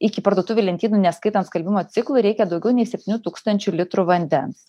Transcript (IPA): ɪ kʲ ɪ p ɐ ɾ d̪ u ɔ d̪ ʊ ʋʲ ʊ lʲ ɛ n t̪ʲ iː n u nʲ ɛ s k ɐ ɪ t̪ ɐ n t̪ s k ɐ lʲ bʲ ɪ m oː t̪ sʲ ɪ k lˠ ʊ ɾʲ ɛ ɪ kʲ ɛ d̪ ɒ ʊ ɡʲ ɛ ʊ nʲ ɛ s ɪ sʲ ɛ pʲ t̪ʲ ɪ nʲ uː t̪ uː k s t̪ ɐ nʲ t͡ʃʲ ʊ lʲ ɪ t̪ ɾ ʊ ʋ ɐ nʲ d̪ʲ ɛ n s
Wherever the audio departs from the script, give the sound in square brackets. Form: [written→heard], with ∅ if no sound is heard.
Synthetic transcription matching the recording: ɪ kʲ ɪ p ɐ ɾ d̪ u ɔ [d̪→t̪] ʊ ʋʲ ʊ lʲ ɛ n t̪ʲ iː n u nʲ ɛ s k ɐ ɪ t̪ ɐ n t̪ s k ɐ lʲ bʲ ɪ m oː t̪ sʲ ɪ k lˠ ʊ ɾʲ ɛ ɪ kʲ ɛ d̪ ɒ ʊ ɡʲ ɛ ʊ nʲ ɛ [s→∅] ɪ sʲ ɛ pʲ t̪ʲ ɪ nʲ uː t̪ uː k s t̪ ɐ nʲ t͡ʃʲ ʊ lʲ ɪ t̪ ɾ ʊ ʋ ɐ nʲ d̪ʲ ɛ n s

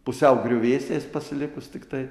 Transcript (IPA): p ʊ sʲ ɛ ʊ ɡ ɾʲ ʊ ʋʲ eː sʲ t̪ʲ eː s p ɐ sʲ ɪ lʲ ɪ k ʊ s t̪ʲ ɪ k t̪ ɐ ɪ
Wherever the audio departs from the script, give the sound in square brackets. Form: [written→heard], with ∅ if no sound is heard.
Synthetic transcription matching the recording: p ʊ sʲ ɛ ʊ ɡ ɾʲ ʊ ʋʲ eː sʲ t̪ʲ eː s p ɐ sʲ ɪ lʲ ɪ k ʊ s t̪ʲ ɪ k t̪ ɐ ɪ

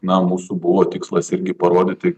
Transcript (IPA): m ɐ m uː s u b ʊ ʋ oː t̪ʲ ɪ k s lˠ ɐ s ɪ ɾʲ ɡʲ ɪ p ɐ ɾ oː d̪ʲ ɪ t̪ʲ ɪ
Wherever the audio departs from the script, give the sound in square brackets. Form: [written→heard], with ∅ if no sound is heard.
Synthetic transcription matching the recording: [m→n] ɐ m uː s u b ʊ ʋ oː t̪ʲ ɪ k s lˠ ɐ s ɪ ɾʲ ɡʲ ɪ p ɐ ɾ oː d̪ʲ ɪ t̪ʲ ɪ

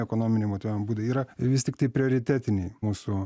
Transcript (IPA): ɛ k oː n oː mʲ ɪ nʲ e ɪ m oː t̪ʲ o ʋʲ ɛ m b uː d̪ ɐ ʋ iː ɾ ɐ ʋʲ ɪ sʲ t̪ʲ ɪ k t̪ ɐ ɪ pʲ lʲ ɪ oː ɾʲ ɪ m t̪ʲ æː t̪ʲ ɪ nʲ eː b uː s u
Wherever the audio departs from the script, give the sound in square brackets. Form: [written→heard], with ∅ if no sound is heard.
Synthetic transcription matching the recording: ɛ k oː n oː mʲ ɪ nʲ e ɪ m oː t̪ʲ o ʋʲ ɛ m b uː d̪ ɐ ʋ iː ɾ ɐ ʋʲ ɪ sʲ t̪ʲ ɪ k t̪ ɐ ɪ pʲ [lʲ→ɾʲ] ɪ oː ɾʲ ɪ [m→∅] t̪ʲ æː t̪ʲ ɪ nʲ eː [b→m] uː s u

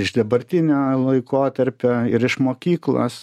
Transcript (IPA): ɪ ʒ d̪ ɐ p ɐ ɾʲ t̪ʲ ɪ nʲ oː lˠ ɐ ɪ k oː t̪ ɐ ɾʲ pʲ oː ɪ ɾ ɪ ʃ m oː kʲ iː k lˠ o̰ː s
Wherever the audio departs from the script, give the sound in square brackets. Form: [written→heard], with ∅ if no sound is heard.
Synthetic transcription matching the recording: ɪ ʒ d̪ ɐ [p→b] ɐ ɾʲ t̪ʲ ɪ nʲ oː lˠ ɐ ɪ k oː t̪ ɐ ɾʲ pʲ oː ɪ ɾ ɪ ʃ m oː kʲ iː k lˠ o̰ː s

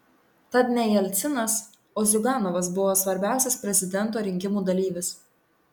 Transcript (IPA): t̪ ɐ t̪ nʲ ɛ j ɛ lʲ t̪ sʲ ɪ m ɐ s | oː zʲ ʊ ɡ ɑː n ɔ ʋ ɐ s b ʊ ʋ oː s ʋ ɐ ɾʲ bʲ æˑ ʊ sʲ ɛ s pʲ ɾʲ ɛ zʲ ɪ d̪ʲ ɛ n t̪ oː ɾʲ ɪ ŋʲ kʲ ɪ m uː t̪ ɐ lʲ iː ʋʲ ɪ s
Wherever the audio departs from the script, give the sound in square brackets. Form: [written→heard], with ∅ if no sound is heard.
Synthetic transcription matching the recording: t̪ ɐ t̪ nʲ ɛ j ɛ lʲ t̪ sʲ ɪ [m→n] ɐ s | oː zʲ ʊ ɡ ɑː n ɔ ʋ ɐ s b ʊ ʋ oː s ʋ ɐ ɾʲ bʲ æˑ ʊ sʲ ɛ s pʲ ɾʲ ɛ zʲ ɪ d̪ʲ ɛ n t̪ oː ɾʲ ɪ ŋʲ kʲ ɪ m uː [t̪→d̪] ɐ lʲ iː ʋʲ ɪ s

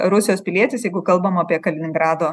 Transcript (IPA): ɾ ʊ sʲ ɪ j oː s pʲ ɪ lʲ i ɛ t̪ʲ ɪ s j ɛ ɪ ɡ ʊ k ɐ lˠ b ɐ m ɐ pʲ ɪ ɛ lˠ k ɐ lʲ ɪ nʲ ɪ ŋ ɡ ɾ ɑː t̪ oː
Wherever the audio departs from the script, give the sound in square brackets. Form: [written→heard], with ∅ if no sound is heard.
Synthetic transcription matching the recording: ɾ ʊ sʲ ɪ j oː s pʲ ɪ lʲ i ɛ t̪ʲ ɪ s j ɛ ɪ ɡ ʊ k ɐ lˠ b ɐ m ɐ pʲ [ɪ→i] ɛ [lˠ→∅] k ɐ lʲ ɪ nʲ ɪ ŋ ɡ ɾ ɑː [t̪→d̪] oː

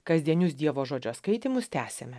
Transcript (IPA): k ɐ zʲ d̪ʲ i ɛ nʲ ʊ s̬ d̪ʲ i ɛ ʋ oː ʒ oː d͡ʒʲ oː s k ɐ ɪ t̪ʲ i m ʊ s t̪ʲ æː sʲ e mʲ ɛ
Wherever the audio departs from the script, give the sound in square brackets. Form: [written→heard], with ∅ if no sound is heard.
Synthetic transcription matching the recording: k ɐ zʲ d̪ʲ i ɛ nʲ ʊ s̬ d̪ʲ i ɛ ʋ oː ʒ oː d͡ʒʲ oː s k ɐ ɪ t̪ʲ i m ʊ s t̪ʲ æː sʲ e mʲ ɛ

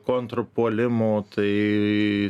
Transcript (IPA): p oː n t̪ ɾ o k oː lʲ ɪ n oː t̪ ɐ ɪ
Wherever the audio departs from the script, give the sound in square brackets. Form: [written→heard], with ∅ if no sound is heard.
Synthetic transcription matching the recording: [p→k] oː n t̪ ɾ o [k→p] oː lʲ ɪ [n→m] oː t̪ ɐ ɪ

